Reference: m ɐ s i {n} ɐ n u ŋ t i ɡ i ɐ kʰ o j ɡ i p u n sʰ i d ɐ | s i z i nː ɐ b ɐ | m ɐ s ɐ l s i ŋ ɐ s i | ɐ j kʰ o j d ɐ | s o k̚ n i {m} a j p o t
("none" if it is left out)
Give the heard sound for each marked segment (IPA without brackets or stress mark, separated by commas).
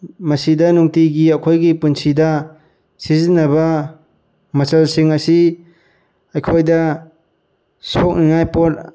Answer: d, ŋ